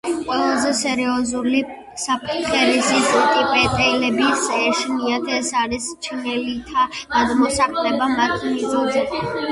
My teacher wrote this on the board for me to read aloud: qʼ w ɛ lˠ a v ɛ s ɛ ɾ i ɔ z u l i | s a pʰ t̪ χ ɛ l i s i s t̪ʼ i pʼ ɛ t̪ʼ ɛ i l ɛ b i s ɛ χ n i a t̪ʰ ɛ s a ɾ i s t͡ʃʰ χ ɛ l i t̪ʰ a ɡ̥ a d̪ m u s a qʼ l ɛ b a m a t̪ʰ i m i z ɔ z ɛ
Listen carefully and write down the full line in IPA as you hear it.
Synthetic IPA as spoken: qʼ w ɛ lˠ a z ɛ s ɛ ɾ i ɔ z u l i | s a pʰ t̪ χ ɛ ɾ i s i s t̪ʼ i pʼ ɛ t̪ʼ ɛ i l ɛ b i s ɛ ʃ n i a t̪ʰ ɛ s a ɾ i s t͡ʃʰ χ ɛ l i t̪ʰ a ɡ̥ a d̪ m ɔ s a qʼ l ɛ b a m a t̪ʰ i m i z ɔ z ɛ